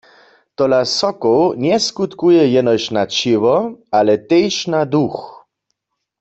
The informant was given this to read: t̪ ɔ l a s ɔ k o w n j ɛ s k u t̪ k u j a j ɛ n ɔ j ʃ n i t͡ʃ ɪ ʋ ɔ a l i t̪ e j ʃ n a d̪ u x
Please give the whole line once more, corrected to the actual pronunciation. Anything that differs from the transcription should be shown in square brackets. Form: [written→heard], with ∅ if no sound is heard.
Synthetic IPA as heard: t̪ ɔ l a s ɔ k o w n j ɛ s k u t̪ k u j [a→ɛ] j ɛ n ɔ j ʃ n [i→a] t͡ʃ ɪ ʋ ɔ a l [i→ɛ] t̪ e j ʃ n a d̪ u x